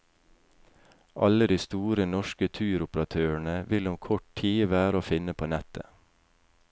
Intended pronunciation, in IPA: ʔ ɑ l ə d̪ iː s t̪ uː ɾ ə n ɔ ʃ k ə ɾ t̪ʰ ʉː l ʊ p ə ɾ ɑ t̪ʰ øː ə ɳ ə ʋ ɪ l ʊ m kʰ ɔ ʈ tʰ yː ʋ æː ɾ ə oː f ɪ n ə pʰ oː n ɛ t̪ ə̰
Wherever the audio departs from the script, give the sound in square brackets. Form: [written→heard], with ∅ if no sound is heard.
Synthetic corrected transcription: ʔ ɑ l ə d̪ iː s t̪ uː ɾ ə n ɔ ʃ k ə [ɾ→∅] t̪ʰ ʉː [l→ɾ] ʊ p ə ɾ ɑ t̪ʰ øː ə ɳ ə ʋ ɪ l ʊ m kʰ ɔ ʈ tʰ [yː→iː] ʋ æː ɾ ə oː f ɪ n ə pʰ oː n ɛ t̪ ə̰